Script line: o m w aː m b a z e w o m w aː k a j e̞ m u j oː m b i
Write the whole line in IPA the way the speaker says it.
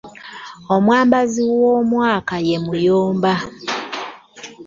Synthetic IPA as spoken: o m w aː m b a z i w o m w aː k a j e̞ m u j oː m b a

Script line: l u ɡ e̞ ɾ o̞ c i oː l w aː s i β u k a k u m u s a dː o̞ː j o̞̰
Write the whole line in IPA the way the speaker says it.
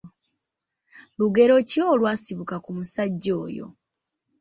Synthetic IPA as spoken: l u ɡ e̞ ɾ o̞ c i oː l w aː s i β u k a k u m u s a ɟː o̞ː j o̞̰

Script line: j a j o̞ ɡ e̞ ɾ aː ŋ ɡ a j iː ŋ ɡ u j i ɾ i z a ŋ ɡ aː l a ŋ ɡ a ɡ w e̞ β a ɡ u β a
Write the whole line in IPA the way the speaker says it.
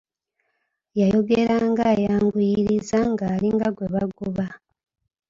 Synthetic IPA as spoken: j a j o̞ ɡ e̞ ɾ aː ŋ ɡ a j aː ŋ ɡ u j i ɾ i z a ŋ ɡ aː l i ŋ ɡ a ɡ w e̞ β a ɡ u β a

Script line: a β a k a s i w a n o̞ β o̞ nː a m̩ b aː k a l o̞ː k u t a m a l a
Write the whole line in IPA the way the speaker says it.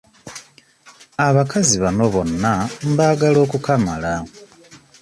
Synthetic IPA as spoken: a β a k a z i β a n o̞ β o̞ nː a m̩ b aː ɡ a l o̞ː k u k a m a l a

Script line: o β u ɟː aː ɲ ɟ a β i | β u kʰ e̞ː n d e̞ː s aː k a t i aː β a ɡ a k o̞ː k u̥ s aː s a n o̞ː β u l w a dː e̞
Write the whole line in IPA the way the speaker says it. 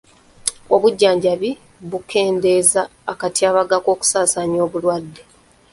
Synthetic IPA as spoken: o β u ɟː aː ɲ ɟ a β i | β u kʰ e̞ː n d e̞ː z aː k a t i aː β a ɡ a k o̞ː k u̥ s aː s a ɲ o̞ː β u l w a dː e̞

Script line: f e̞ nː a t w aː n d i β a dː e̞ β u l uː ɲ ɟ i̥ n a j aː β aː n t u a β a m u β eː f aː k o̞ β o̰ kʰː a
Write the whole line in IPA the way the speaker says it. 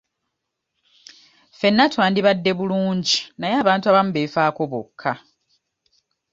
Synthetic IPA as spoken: f e̞ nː a t w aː n d i β a dː e̞ β u l uː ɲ ɟ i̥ n a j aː β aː n t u a β a m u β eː f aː k o̞ β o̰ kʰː a

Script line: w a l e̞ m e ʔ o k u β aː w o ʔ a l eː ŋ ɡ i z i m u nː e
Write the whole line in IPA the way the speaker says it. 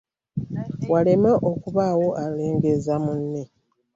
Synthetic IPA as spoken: w a l e̞ m e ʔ o k u β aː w o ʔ a l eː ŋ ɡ e z a m u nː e

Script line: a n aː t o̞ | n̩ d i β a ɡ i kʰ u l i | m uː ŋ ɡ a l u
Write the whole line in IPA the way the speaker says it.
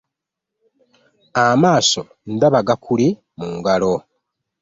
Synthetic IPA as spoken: a m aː s o̞ | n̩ d a β a ɡ a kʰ u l i | m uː ŋ ɡ a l o

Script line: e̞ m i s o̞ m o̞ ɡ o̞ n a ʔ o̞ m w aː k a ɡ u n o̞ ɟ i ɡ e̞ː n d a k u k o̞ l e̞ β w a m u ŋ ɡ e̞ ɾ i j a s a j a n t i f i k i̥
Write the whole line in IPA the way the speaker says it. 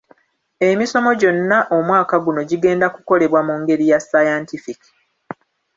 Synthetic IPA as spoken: e̞ m i s o̞ m o̞ ɟ o̞ nː a ʔ o̞ m w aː k a ɡ u n o̞ ɟ i ɡ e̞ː n d a k u k o̞ l e̞ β w a m u ŋ ɡ e̞ ɾ i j a s a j a n t i f i k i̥

